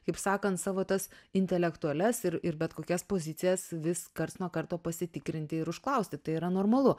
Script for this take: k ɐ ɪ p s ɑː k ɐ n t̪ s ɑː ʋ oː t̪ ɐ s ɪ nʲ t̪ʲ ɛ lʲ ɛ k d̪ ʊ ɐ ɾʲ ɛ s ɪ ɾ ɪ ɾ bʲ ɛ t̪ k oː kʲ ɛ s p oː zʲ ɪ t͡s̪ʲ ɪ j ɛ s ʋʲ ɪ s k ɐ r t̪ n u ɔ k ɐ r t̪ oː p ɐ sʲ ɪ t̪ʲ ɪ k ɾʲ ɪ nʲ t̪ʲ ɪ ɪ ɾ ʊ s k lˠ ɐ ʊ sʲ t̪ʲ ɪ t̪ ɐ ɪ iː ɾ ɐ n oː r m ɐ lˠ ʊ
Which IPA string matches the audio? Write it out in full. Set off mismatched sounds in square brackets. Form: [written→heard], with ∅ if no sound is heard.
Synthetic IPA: k ɐ ɪ p s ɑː k ɐ n t̪ s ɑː ʋ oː t̪ ɐ s ɪ nʲ t̪ʲ ɛ lʲ ɛ k [d̪→t̪] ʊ ɐ [ɾʲ→lʲ] ɛ s ɪ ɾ ɪ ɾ bʲ ɛ t̪ k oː kʲ ɛ s p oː zʲ ɪ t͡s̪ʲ ɪ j ɛ s ʋʲ ɪ s k ɐ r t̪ n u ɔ k ɐ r t̪ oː p ɐ sʲ ɪ t̪ʲ ɪ k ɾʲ ɪ nʲ t̪ʲ ɪ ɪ ɾ ʊ [s→ʃ] k lˠ ɐ ʊ sʲ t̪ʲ ɪ t̪ ɐ ɪ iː ɾ ɐ n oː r m ɐ lˠ ʊ

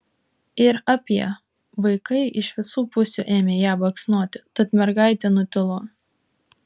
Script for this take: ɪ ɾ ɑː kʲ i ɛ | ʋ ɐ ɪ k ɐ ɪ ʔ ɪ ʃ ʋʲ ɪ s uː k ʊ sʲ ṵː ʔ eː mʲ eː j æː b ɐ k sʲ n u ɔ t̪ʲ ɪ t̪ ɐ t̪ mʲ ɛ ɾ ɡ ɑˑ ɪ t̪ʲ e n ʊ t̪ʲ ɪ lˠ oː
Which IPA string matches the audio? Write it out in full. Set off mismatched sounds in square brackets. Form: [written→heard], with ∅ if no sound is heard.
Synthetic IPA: ɪ ɾ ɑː [kʲ→pʲ] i ɛ | ʋ ɐ ɪ k ɐ ɪ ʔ ɪ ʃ ʋʲ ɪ s uː [k→p] ʊ sʲ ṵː ʔ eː mʲ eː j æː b ɐ k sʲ n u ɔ t̪ʲ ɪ t̪ ɐ t̪ mʲ ɛ ɾ ɡ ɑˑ ɪ t̪ʲ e n ʊ t̪ʲ ɪ lˠ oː

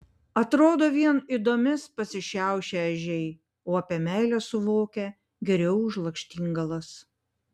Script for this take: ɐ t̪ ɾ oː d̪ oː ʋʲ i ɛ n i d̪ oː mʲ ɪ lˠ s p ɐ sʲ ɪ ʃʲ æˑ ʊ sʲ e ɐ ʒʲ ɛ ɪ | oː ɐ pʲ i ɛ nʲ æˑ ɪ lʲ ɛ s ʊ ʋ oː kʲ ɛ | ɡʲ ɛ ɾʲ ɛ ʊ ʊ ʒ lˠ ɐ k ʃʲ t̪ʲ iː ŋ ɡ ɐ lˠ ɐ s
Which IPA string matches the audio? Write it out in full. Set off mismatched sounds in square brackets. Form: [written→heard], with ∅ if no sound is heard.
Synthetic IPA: ɐ t̪ ɾ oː d̪ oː ʋʲ i ɛ n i d̪ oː mʲ ɪ [lˠ→∅] s p ɐ sʲ ɪ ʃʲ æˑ ʊ [sʲ→ʃʲ] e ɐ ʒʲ ɛ ɪ | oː ɐ pʲ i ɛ [nʲ→mʲ] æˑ ɪ lʲ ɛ s ʊ ʋ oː kʲ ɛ | ɡʲ ɛ ɾʲ ɛ ʊ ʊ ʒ lˠ ɐ k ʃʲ t̪ʲ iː ŋ ɡ ɐ lˠ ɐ s

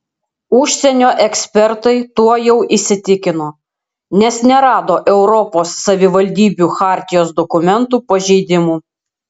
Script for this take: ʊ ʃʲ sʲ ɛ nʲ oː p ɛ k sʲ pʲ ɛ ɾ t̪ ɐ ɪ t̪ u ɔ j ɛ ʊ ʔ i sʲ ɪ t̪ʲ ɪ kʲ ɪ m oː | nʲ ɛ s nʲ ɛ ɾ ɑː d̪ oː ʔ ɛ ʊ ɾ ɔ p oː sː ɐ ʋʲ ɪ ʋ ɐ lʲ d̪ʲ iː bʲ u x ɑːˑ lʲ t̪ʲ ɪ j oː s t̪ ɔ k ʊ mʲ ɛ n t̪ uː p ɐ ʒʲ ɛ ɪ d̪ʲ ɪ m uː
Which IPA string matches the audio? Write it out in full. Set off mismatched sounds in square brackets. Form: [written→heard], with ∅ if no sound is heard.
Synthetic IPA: ʊ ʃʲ sʲ ɛ nʲ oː [p→ʔ] ɛ k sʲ pʲ ɛ ɾ t̪ ɐ ɪ t̪ u ɔ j ɛ ʊ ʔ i sʲ ɪ t̪ʲ ɪ kʲ ɪ [m→n] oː | nʲ ɛ s nʲ ɛ ɾ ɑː d̪ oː ʔ ɛ ʊ ɾ ɔ p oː sː ɐ ʋʲ ɪ ʋ ɐ lʲ d̪ʲ iː bʲ u x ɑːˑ [lʲ→ɾʲ] t̪ʲ ɪ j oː s [t̪→d̪] ɔ k ʊ mʲ ɛ n t̪ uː p ɐ ʒʲ ɛ ɪ d̪ʲ ɪ m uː

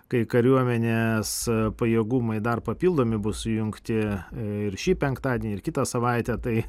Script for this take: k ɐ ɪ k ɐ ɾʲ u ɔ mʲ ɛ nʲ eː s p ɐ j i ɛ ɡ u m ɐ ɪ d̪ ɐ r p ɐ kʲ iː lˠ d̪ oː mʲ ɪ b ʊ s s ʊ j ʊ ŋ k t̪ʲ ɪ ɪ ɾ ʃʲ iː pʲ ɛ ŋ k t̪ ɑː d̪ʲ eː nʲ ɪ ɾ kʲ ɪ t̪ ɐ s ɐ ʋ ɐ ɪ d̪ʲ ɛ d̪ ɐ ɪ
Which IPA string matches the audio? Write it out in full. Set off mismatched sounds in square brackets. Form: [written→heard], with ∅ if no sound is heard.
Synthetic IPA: k ɐ ɪ k ɐ ɾʲ u ɔ mʲ ɛ nʲ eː s p ɐ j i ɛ ɡ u m ɐ ɪ d̪ ɐ r p ɐ [kʲ→pʲ] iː lˠ d̪ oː mʲ ɪ b ʊ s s ʊ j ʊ ŋ k t̪ʲ ɪ ɪ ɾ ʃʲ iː pʲ ɛ ŋ k t̪ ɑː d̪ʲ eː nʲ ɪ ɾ kʲ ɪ t̪ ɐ s ɐ ʋ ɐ ɪ [d̪ʲ→t̪ʲ] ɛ [d̪→t̪] ɐ ɪ

